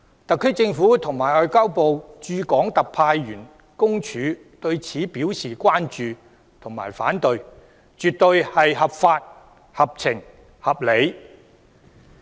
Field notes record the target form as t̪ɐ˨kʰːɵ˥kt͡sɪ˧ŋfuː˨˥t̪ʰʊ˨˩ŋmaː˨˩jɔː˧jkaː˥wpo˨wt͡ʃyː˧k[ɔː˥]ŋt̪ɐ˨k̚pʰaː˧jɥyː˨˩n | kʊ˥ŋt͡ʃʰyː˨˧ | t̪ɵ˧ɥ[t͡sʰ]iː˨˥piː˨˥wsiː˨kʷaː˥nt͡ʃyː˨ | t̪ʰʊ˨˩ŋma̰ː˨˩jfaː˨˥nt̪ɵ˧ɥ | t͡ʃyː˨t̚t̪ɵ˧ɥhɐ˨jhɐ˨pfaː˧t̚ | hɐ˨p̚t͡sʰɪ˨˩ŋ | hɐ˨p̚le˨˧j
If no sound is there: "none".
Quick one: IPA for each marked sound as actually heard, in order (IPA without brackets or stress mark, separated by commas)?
ɔː˨˥, t͡sʰ